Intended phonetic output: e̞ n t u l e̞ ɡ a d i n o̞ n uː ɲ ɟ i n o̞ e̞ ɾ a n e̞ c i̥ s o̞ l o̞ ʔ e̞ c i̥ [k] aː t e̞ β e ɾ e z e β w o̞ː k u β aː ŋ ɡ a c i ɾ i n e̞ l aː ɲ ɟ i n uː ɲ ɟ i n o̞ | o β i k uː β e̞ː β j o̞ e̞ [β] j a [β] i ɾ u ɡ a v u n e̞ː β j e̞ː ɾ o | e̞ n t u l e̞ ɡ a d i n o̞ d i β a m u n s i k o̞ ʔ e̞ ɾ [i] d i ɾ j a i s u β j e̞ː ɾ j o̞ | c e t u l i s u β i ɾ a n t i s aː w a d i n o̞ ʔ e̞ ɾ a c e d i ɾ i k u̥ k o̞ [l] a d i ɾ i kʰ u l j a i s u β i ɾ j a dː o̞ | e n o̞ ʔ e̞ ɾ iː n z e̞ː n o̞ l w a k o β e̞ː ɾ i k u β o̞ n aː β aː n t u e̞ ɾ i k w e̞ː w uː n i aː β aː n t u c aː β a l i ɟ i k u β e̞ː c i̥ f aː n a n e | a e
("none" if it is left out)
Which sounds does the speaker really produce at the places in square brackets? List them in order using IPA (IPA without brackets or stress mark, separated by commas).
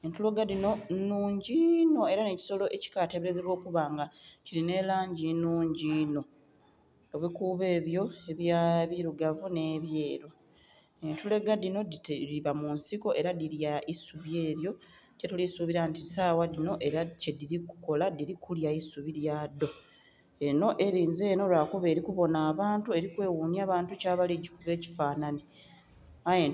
k, β, β, a, l